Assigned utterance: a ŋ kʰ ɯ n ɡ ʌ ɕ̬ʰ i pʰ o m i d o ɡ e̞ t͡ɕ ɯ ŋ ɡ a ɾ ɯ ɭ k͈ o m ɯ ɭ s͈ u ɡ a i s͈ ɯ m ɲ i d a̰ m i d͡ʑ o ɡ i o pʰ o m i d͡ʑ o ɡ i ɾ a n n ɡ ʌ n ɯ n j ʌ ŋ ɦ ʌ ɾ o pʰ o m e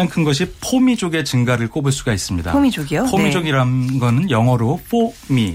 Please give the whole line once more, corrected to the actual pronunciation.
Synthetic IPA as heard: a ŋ kʰ ɯ n ɡ ʌ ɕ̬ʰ i pʰ o m i d͡ʑ o ɡ e̞ t͡ɕ ɯ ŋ ɡ a ɾ ɯ ɭ k͈ o b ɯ ɭ s͈ u ɡ a i s͈ ɯ m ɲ i d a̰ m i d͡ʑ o ɡ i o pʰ o m i d͡ʑ o ɡ i ɾ a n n ɡ ʌ n ɯ n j ʌ ŋ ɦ ʌ ɾ o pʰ o m i